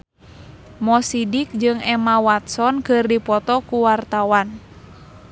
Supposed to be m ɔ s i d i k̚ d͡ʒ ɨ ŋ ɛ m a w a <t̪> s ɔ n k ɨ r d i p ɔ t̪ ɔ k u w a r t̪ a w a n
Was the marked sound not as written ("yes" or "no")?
no